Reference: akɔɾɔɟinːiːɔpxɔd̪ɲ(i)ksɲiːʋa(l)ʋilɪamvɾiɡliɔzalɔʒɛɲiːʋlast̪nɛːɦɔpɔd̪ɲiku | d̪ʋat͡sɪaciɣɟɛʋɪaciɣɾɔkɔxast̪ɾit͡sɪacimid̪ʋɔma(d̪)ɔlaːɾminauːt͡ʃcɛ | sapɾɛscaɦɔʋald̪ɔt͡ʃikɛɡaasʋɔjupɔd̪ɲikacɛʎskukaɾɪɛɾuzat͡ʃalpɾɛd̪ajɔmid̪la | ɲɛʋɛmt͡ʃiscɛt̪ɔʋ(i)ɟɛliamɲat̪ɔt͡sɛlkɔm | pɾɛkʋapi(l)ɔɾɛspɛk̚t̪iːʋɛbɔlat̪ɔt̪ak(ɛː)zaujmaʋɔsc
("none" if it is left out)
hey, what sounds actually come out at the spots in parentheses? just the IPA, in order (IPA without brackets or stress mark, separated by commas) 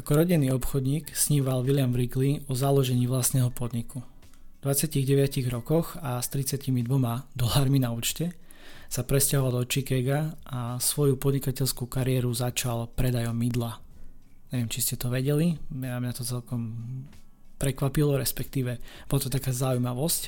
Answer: iː, l, d̪, ɛ, l, aː